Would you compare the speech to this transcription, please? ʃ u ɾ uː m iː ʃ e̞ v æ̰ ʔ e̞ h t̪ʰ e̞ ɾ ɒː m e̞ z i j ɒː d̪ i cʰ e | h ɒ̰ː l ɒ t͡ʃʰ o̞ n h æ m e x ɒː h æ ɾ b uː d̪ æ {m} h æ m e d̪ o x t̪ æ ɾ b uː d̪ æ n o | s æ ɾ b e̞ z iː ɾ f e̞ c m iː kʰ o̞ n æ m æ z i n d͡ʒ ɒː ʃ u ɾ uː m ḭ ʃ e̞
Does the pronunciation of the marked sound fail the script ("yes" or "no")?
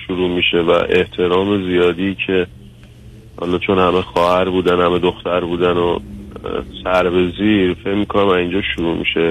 yes